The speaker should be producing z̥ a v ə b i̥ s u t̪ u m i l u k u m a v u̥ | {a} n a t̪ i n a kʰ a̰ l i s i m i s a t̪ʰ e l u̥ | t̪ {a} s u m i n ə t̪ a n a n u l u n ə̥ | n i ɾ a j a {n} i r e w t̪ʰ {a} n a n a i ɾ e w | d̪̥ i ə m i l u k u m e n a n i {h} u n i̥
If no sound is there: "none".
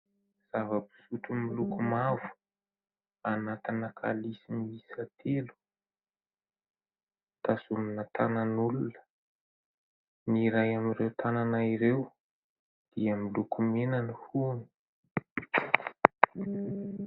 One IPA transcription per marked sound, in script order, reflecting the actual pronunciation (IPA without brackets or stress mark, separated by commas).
a, a, m, a, h